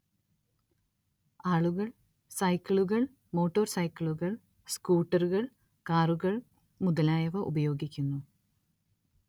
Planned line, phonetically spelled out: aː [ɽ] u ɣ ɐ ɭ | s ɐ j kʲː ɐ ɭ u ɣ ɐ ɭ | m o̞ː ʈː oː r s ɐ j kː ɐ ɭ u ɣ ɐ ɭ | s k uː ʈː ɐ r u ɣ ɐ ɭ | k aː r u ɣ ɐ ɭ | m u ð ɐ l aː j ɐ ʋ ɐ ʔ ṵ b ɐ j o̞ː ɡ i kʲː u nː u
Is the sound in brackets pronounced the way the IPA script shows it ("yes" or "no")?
no